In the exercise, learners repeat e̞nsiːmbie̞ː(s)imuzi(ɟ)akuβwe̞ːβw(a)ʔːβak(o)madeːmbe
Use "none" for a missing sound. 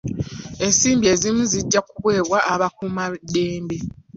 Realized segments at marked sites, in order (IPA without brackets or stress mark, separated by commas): z, ɟː, a, u